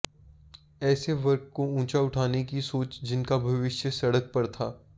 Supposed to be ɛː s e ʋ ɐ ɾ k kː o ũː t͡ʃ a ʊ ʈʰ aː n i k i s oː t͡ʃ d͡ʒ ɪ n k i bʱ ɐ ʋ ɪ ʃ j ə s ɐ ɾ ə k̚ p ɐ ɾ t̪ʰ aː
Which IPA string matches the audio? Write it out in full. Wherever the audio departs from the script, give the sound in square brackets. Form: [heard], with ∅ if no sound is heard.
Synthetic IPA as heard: ɛː s e ʋ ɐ ɾ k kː o ũː t͡ʃ a ʊ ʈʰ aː n [e] k i s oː t͡ʃ d͡ʒ ɪ n k [a] bʱ ɐ ʋ ɪ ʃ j ə s ɐ [ɽ] ə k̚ p ɐ ɾ t̪ʰ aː